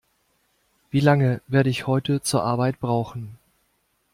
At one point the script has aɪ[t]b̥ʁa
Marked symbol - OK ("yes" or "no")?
yes